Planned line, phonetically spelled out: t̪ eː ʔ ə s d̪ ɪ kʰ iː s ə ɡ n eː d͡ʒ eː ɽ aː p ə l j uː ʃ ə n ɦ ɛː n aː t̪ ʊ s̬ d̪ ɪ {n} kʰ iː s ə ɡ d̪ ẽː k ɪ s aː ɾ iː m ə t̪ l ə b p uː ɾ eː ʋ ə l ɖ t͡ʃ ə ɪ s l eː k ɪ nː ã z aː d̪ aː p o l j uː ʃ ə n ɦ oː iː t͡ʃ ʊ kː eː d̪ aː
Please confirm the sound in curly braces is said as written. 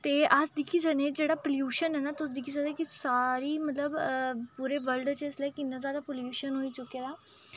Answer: no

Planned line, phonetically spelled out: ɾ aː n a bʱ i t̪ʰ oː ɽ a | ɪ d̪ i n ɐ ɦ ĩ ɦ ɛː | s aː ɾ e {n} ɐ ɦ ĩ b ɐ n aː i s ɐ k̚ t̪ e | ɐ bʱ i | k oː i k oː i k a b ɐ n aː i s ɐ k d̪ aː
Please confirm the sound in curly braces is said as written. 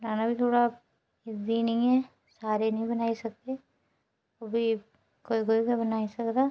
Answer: yes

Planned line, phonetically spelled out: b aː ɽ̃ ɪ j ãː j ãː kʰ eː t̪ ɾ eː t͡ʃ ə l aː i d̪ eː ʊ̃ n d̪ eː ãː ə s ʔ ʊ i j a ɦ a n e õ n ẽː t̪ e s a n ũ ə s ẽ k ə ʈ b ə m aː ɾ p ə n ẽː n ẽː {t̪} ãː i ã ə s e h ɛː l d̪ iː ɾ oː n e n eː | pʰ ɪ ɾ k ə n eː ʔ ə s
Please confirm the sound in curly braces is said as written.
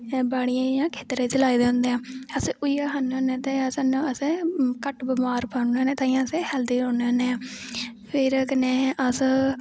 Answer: yes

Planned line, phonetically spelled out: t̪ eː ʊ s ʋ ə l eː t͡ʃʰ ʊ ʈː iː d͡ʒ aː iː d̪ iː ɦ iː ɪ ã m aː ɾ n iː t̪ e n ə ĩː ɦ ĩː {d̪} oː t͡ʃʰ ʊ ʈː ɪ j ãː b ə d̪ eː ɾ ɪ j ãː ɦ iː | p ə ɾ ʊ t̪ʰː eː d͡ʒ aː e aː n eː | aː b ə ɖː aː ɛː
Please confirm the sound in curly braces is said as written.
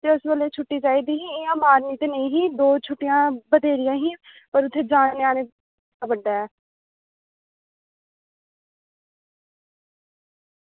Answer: yes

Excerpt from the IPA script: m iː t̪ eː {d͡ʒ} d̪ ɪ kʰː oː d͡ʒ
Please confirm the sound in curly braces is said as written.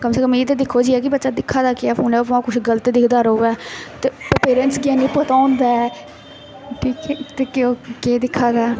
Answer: no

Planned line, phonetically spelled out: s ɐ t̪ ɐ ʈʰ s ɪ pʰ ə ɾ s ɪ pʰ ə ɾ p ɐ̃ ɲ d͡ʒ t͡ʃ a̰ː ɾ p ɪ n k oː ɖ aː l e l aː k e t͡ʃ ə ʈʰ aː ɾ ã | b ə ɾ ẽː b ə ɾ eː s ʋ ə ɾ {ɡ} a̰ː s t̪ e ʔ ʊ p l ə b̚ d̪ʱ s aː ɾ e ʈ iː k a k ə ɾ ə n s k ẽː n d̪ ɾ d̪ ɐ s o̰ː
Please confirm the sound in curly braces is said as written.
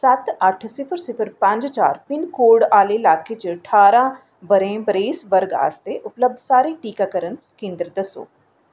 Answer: yes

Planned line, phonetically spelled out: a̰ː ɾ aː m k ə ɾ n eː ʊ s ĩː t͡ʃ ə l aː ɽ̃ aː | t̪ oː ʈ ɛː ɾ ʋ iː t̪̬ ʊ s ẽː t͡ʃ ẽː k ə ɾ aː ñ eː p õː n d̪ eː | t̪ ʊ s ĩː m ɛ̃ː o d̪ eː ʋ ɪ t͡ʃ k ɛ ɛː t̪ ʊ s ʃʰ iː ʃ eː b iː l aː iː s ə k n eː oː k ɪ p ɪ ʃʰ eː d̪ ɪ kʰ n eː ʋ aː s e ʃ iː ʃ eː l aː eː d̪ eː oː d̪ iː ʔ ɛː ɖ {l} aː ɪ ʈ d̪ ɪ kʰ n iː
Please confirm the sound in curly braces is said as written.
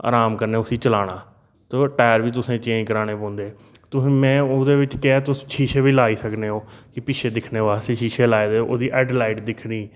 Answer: yes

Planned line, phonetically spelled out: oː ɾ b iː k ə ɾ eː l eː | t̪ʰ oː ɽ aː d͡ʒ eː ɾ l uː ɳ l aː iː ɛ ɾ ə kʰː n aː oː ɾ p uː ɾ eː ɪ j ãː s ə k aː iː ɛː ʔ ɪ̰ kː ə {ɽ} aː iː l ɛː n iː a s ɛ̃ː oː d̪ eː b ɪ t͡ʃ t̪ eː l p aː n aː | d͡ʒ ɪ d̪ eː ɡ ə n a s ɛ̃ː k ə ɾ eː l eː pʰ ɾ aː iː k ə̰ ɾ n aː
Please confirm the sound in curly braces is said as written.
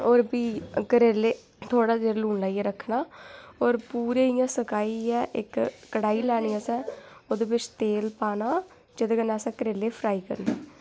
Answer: yes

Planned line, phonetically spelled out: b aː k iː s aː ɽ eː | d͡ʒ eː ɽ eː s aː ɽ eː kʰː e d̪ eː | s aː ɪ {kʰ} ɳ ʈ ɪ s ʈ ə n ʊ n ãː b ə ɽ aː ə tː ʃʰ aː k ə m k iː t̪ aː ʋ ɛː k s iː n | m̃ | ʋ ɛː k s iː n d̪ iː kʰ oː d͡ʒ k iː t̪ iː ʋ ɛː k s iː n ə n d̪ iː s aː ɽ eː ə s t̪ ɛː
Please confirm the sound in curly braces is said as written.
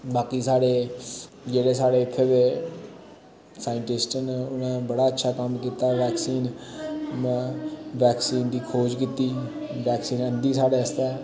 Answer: no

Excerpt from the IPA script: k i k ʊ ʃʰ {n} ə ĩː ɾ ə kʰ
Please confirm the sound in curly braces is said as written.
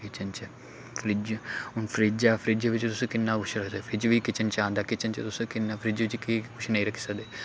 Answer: yes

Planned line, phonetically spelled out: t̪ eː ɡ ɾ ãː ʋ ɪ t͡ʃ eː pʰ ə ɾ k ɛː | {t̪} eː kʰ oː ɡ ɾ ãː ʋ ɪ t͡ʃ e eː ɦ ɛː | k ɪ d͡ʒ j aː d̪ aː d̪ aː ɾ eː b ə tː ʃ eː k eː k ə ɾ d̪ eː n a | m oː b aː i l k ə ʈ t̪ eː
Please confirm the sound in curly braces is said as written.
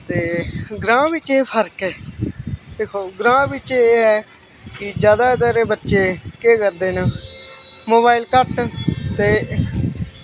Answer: no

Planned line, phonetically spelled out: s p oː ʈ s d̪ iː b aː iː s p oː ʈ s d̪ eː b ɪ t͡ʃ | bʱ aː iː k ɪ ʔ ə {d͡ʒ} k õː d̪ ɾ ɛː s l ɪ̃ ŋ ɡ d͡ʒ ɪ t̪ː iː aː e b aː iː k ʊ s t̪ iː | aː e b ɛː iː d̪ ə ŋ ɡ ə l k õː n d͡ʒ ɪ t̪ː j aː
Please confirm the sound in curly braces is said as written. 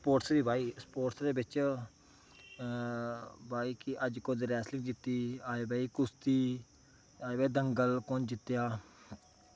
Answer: yes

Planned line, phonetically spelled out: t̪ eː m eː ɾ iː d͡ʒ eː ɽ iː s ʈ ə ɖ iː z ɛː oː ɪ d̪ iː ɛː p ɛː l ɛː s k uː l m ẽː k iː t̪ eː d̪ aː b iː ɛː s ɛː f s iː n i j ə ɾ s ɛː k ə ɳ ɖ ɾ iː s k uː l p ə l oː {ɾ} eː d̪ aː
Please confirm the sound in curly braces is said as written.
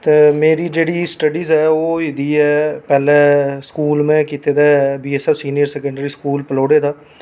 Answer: no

